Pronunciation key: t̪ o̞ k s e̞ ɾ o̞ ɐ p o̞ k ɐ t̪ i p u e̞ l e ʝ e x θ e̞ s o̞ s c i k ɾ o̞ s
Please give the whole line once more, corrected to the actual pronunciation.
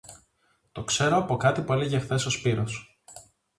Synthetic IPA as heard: t̪ o̞ k s e̞ ɾ o̞ ɐ p o̞ k ɐ t̪ i p u e̞ l e ʝ e x θ e̞ s o̞ s p i ɾ o̞ s